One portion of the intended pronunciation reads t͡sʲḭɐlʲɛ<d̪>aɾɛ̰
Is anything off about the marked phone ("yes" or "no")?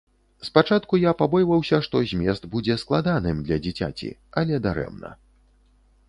no